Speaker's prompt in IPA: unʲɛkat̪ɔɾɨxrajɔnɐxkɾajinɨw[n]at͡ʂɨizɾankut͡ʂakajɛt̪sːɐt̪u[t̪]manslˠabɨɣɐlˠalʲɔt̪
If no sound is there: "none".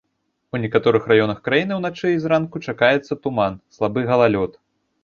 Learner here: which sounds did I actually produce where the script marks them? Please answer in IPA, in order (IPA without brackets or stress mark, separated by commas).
n, none